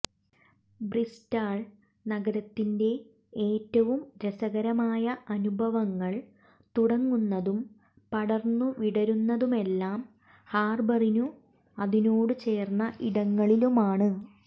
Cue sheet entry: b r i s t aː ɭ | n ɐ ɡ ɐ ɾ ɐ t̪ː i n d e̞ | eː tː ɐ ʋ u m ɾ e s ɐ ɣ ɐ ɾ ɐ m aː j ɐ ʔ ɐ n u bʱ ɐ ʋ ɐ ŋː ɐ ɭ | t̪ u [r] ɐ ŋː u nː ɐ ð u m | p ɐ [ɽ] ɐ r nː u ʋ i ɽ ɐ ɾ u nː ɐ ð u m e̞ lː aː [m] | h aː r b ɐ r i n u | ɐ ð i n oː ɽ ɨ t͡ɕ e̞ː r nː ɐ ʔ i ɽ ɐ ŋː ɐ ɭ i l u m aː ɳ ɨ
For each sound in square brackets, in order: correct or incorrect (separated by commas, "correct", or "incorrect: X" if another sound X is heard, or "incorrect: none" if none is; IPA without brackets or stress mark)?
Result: incorrect: ɽ, correct, correct